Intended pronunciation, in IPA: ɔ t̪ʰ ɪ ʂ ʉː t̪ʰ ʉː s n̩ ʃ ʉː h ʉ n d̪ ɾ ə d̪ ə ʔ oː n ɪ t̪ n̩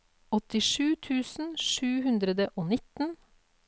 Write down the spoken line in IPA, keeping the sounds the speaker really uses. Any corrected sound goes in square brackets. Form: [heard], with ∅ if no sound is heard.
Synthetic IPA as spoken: ɔ [t̪] ɪ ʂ ʉː t̪ʰ ʉː s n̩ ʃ ʉː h ʉ n d̪ ɾ ə d̪ ə ʔ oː n ɪ t̪ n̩